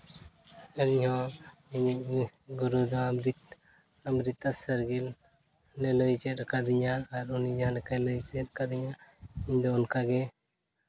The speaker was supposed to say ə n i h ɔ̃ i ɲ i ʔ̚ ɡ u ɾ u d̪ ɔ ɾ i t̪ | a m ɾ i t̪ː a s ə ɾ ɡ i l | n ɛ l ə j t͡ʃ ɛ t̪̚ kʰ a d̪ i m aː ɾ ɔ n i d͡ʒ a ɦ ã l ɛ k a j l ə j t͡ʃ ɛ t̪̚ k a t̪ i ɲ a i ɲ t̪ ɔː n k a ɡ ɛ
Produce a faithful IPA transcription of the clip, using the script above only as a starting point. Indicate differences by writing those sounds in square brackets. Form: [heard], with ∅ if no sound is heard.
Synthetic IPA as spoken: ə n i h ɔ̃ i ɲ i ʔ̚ ɡ u ɾ u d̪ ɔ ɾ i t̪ | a m ɾ i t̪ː a s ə ɾ ɡ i l | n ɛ l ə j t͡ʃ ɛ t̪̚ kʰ a d̪ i [ɲ] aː ɾ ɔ n i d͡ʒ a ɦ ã l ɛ k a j l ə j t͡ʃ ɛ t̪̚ k a [d̪] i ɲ a i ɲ [d̪] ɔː n k a ɡ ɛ

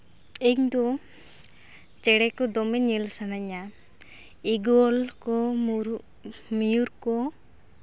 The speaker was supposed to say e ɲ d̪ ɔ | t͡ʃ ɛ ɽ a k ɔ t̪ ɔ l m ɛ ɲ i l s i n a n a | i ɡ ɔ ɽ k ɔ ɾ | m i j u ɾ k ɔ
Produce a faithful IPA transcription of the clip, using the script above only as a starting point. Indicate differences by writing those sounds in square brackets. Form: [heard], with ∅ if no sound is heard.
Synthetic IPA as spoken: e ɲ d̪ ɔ | t͡ʃ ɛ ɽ [ɛ] k ɔ [d̪] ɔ [∅] m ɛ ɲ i l s [a] n a [ɲ] a | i ɡ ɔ [l] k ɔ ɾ | m i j u ɾ k ɔ

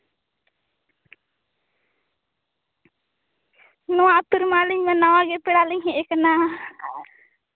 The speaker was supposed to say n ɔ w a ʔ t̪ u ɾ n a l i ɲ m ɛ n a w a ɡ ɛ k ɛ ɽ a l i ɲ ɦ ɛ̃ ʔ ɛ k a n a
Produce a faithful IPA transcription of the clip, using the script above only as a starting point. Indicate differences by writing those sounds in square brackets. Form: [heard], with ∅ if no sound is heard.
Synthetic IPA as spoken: n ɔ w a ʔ t̪ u ɾ [m] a l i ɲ m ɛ n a w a ɡ ɛ [p] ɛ ɽ a l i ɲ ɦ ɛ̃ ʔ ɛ k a n a

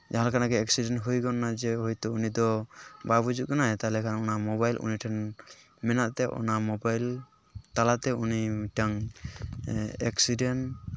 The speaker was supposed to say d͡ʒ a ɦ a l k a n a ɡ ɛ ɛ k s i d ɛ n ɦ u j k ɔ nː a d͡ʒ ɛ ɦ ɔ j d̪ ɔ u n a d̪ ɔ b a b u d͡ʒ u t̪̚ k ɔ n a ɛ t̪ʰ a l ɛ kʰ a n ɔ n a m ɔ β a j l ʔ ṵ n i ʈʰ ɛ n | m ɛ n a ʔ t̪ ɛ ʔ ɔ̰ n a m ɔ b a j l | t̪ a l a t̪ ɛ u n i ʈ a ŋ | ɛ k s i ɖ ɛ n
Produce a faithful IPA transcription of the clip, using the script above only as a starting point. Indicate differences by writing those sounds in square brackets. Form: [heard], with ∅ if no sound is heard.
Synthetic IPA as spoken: d͡ʒ a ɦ a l k a n a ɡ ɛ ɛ k s i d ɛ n ɦ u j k ɔ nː a d͡ʒ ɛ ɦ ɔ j [t̪] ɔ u n [i] d̪ ɔ b a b u d͡ʒ u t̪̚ k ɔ n a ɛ [t̪] a l ɛ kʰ a n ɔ n a m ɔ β a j l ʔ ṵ n i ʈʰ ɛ n | m ɛ n a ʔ t̪ ɛ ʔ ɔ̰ n a m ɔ b a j l | t̪ a l a t̪ ɛ u n i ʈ a ŋ | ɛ k s i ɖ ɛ n

